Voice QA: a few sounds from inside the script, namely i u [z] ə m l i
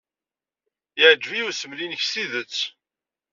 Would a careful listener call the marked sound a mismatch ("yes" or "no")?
yes